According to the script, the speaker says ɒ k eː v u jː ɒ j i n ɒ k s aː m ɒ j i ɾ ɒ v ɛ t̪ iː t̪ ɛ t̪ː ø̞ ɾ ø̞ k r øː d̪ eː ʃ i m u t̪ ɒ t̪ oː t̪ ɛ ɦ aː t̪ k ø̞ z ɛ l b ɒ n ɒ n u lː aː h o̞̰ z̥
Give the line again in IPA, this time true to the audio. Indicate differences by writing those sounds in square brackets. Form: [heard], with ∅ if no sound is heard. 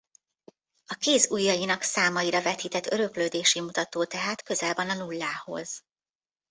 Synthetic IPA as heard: ɒ k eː [z] u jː ɒ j i n ɒ k s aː m ɒ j i ɾ ɒ v ɛ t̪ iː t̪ ɛ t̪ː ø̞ ɾ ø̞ k [l] øː d̪ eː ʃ i m u t̪ ɒ t̪ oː t̪ ɛ ɦ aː t̪ k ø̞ z ɛ l b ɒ n ɒ n u lː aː h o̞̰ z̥